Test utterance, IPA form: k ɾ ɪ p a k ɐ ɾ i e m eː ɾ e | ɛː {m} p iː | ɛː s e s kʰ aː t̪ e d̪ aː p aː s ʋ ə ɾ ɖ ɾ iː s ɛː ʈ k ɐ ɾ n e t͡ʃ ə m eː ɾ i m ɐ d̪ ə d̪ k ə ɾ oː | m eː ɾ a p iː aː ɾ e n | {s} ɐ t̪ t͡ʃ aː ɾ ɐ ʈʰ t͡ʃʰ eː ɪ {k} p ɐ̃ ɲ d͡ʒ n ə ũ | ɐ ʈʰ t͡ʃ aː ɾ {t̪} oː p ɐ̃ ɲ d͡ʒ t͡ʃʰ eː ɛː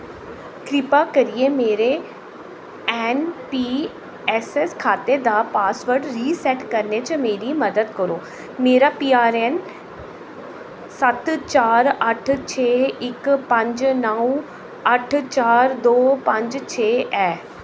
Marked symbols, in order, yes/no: no, yes, yes, no

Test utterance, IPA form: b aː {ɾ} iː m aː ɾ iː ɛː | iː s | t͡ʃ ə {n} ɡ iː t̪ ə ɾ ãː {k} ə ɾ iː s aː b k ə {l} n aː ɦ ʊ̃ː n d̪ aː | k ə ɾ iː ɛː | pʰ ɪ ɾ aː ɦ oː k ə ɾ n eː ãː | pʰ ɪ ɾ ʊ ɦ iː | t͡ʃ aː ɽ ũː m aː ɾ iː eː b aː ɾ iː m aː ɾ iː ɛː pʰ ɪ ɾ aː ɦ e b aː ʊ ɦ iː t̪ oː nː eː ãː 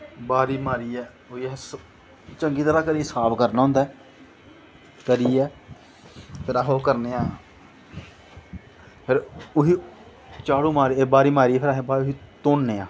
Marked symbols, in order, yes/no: yes, no, yes, no

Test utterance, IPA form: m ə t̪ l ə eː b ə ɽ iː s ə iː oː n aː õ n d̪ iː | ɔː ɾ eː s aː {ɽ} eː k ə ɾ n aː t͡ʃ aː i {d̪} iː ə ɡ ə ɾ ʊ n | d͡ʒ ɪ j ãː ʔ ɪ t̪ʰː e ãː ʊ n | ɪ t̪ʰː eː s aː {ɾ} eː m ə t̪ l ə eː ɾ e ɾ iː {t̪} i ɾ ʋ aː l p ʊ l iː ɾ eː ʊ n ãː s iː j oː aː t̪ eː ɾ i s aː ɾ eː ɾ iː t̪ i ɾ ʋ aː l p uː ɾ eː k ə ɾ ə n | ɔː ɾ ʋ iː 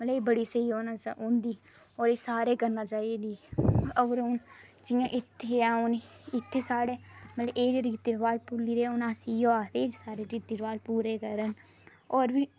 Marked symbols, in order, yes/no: no, yes, no, yes

